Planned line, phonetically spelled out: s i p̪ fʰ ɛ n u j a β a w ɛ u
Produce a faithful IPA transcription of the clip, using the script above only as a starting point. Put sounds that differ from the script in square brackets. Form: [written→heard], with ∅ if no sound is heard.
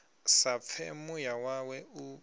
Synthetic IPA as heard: s [i→a] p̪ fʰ ɛ [n→m] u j a [β→w] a w ɛ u

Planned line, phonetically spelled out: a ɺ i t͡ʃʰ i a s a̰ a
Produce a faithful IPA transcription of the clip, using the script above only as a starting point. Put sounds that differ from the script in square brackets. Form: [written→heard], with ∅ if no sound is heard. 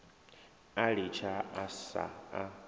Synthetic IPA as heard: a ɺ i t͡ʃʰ [i→a] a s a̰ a

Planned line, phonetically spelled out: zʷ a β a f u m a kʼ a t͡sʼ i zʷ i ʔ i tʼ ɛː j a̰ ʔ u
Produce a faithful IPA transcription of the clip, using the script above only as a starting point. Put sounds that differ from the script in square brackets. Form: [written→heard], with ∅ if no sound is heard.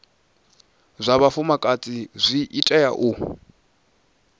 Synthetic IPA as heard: zʷ a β a f u m a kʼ a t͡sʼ i zʷ i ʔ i tʼ [ɛː→ɛ] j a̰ ʔ u

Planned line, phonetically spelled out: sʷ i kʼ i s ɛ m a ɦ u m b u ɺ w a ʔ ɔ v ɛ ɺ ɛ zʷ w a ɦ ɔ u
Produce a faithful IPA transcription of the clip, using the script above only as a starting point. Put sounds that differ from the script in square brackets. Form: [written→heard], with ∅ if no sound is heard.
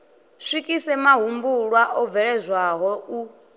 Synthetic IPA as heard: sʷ i kʼ i s ɛ m a ɦ u m b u ɺ w a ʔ ɔ v ɛ ɺ ɛ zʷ w a ɦ ɔ u

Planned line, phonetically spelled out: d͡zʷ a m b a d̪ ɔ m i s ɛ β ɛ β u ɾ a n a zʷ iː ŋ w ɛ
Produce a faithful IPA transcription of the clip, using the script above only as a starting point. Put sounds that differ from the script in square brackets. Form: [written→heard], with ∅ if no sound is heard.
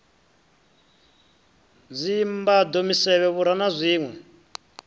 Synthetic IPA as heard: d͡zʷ [a→i] m b a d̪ [ɔ→o] m i s ɛ β ɛ β u ɾ a n a zʷ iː ŋ w ɛ

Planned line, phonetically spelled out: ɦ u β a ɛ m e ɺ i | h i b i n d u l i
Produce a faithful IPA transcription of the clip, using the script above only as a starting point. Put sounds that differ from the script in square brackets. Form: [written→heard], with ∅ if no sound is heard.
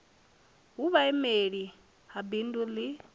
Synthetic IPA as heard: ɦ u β a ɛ m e ɺ i | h [i→a] b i n d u l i

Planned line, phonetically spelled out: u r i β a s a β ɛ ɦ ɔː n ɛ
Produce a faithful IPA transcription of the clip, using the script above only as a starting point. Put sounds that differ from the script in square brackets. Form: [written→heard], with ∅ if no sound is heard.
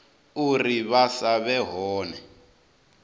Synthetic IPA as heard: u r i β a s a β ɛ ɦ ɔː n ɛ

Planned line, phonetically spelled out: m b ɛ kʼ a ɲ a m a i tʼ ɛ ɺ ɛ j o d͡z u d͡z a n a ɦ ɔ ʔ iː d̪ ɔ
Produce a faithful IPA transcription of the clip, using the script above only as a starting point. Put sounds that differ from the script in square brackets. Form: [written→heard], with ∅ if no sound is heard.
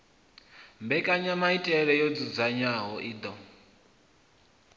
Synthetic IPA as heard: m b ɛ kʼ a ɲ a m a i tʼ ɛ ɺ ɛ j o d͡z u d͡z a [n→ɲ] a ɦ ɔ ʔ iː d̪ ɔ

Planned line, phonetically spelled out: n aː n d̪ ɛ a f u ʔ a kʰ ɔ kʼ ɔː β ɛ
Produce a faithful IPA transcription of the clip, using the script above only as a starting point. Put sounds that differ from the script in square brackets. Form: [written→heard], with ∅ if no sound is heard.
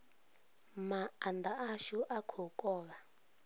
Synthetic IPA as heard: [n→m] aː n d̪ [ɛ→a] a [f→ʃ] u ʔ a kʰ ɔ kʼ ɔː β [ɛ→a]

